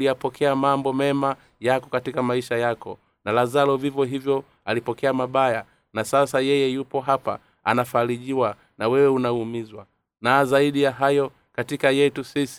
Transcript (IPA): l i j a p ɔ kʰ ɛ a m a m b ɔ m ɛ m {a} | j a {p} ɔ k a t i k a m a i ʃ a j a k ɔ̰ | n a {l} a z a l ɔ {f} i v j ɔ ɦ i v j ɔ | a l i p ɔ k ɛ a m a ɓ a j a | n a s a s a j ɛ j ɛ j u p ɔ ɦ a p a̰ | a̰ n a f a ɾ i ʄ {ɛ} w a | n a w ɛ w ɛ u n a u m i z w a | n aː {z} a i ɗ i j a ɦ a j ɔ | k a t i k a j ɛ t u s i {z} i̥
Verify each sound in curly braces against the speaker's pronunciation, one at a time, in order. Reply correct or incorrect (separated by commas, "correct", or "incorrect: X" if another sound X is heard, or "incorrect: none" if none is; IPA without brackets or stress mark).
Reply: correct, incorrect: k, correct, incorrect: v, incorrect: i, correct, incorrect: s